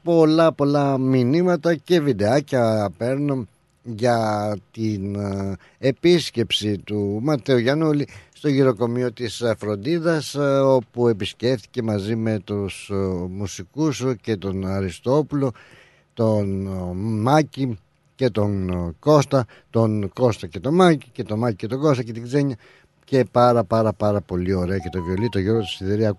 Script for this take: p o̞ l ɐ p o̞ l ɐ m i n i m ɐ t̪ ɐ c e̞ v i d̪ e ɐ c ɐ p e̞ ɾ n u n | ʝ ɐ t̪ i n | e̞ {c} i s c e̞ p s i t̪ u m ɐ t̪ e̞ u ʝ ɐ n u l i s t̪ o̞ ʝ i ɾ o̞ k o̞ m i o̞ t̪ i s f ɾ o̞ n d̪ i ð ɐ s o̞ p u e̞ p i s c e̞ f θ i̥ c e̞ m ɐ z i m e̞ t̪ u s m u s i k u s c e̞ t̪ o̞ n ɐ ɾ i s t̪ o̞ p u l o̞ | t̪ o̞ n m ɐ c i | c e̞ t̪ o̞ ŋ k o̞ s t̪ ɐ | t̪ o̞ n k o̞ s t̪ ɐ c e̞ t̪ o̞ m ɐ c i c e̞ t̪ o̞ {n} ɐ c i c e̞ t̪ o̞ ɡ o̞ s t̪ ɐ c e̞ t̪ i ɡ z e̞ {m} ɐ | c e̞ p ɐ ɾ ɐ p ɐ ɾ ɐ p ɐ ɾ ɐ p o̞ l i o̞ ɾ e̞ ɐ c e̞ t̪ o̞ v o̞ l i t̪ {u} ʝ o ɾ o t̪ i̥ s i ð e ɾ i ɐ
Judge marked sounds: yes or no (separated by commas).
no, no, no, no